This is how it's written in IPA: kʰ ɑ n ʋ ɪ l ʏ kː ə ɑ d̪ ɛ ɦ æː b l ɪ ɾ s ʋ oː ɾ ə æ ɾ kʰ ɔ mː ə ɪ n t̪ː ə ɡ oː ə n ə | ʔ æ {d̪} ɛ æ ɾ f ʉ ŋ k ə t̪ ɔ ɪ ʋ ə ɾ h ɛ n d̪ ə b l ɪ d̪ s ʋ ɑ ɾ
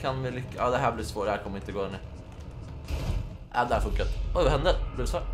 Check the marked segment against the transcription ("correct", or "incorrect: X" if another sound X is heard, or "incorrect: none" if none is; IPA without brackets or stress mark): correct